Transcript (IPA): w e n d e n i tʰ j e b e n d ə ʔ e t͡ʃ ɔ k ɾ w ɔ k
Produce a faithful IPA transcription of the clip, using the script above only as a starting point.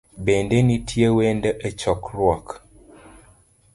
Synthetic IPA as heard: b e n d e n i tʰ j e w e n d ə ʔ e t͡ʃ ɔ k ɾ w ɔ k